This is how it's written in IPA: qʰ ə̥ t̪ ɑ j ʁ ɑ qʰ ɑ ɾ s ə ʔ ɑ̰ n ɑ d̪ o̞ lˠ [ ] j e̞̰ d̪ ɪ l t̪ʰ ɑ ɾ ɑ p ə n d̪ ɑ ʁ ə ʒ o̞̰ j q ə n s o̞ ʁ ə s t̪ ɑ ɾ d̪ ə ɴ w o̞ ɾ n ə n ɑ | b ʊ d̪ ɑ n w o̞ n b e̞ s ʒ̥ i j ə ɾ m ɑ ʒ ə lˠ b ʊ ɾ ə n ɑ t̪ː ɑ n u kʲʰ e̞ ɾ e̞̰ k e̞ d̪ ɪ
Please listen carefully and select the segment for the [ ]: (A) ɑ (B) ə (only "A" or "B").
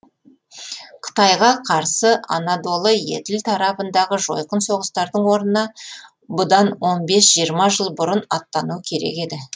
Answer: B